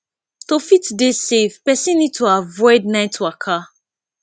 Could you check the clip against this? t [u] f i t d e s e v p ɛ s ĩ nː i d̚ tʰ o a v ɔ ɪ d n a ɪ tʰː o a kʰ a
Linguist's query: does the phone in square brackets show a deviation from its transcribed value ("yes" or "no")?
yes